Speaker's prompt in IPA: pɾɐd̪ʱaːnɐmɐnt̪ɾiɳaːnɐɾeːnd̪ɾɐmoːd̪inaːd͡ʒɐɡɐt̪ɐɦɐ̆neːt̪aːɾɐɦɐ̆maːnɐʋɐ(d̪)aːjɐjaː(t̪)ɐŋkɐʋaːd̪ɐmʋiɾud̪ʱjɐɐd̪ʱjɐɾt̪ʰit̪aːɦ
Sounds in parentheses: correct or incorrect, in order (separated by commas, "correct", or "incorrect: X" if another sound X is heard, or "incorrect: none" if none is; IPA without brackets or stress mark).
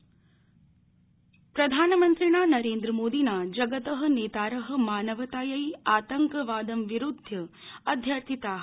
incorrect: t̪, correct